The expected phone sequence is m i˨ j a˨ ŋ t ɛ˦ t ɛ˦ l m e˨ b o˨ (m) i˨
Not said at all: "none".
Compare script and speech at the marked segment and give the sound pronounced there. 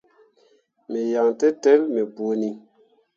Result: n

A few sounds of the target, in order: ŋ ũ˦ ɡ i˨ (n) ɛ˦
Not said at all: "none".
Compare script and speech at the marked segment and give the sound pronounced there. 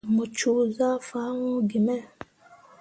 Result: m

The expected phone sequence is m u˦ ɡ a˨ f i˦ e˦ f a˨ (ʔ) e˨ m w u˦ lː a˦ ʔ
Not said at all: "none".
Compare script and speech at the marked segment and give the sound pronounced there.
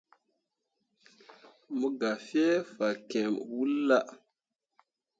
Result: k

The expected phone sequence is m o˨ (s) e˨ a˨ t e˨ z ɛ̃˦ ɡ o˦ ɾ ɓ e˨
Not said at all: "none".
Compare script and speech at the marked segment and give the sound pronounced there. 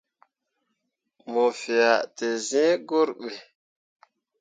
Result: f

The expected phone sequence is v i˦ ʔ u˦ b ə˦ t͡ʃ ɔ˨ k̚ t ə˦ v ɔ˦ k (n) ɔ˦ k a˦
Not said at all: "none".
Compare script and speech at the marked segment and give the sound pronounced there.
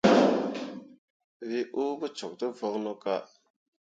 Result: n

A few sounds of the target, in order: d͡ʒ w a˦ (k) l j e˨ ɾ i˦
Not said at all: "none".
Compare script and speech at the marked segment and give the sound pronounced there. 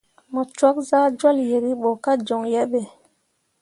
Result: none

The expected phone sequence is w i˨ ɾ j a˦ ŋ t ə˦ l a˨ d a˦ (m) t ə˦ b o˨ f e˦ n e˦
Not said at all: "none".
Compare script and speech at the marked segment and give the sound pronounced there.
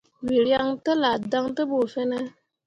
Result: ŋ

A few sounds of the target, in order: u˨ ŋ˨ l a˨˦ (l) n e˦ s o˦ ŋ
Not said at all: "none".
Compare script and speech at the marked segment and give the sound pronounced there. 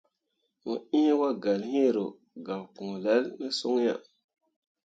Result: l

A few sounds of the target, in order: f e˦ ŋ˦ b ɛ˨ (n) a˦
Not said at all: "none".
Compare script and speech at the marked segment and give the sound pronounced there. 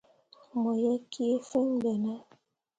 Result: n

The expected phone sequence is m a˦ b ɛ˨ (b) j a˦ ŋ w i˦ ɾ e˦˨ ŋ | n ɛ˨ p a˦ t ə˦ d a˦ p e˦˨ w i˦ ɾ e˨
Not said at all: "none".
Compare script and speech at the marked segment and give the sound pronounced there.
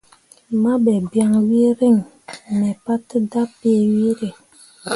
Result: b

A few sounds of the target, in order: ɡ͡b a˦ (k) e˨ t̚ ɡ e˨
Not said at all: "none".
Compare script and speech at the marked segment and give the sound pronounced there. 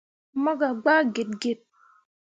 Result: ɡ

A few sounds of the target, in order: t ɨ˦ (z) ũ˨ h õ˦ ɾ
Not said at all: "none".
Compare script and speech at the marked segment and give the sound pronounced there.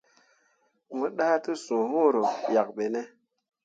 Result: s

